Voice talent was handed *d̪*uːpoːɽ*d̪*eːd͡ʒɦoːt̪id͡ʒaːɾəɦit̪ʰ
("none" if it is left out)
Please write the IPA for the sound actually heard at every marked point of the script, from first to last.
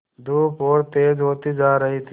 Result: d̪, t̪

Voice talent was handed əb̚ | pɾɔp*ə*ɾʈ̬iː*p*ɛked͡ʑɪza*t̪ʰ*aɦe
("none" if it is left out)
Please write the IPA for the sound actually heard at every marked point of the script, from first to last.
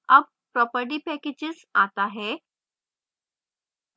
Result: ə, p, t̪

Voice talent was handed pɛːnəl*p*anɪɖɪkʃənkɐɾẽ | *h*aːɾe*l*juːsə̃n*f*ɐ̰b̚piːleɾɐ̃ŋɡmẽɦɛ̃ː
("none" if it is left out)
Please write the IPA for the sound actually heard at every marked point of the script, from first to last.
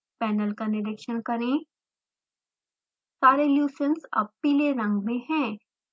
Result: k, s, l, s

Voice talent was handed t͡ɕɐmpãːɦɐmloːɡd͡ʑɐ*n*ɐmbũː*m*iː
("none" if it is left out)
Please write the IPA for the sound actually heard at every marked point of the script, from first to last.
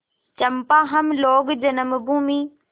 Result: n, m

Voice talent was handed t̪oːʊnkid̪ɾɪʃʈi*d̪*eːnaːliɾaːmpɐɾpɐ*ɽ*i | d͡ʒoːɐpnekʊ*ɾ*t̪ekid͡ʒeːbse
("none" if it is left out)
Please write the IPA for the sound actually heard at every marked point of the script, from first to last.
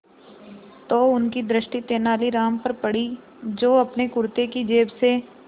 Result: t̪, ɽ, ɾ

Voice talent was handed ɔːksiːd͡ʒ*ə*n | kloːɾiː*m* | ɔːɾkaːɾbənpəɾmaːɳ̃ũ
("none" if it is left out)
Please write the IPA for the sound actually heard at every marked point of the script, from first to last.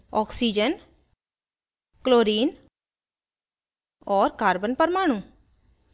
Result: ə, n

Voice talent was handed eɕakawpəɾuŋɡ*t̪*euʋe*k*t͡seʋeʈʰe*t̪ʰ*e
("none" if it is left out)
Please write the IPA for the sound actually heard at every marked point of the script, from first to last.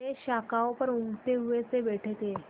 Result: t̪, none, t̪

